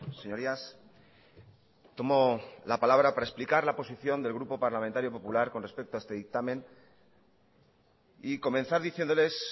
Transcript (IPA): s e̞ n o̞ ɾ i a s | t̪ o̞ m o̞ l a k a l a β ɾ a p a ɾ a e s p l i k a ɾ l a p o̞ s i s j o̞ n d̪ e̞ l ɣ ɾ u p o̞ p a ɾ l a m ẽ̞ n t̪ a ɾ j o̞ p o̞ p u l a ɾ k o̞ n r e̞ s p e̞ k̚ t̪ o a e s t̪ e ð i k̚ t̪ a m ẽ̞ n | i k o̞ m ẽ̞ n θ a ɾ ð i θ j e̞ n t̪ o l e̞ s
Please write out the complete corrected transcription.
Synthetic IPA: s e̞ ɲ o̞ ɾ i a s | t̪ o̞ m o̞ l a p a l a β ɾ a p a ɾ a e s p l i k a ɾ l a p o̞ s i θ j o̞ n d̪ e̞ l ɣ ɾ u p o̞ p a ɾ l a m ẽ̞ n t̪ a ɾ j o̞ p o̞ p u l a ɾ k o̞ n r e̞ s p e̞ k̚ t̪ o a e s t̪ e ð i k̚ t̪ a m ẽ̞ n | i k o̞ m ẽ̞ n θ a ɾ ð i θ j e̞ n d̪ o l e̞ s